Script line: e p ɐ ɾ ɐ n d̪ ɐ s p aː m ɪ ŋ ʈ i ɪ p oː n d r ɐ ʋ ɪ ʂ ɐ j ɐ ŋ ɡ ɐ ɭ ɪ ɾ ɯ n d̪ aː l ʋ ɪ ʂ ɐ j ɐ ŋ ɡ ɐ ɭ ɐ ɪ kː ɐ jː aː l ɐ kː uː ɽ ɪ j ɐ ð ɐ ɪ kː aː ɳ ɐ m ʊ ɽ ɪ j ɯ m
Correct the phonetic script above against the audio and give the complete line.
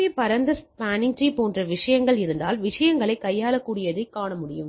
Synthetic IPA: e p ɐ ɾ ɐ n d̪ ɐ s p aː n ɪ ŋ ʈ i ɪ p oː n d r ɐ ʋ ɪ ʂ ɐ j ɐ ŋ ɡ ɐ ɭ ɪ ɾ ɯ n d̪ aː l ʋ ɪ ʂ ɐ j ɐ ŋ ɡ ɐ ɭ ɐ ɪ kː ɐ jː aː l ɐ kː uː ɽ ɪ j ɐ ð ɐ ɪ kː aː ɳ ɐ m ʊ ɽ ɪ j ɯ m